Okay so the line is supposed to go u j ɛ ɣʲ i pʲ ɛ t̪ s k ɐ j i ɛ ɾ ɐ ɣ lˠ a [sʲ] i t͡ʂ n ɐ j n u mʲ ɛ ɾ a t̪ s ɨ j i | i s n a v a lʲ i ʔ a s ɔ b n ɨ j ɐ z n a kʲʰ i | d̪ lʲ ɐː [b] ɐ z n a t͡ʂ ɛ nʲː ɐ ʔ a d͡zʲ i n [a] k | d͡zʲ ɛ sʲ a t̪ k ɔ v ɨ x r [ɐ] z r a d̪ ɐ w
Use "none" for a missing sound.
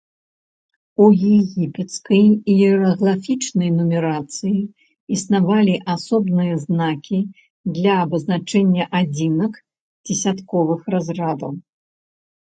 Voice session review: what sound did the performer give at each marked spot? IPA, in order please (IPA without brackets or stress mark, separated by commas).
fʲ, b, ɐ, a